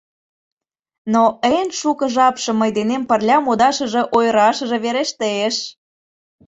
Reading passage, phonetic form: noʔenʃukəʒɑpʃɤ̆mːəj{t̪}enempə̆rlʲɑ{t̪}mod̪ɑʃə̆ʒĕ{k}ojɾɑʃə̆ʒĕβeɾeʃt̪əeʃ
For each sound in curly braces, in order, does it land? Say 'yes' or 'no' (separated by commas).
no, no, no